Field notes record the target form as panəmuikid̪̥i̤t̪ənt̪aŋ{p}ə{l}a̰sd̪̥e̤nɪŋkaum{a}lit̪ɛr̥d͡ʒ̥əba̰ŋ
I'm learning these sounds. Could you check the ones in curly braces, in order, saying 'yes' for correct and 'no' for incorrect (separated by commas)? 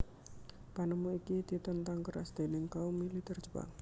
no, no, no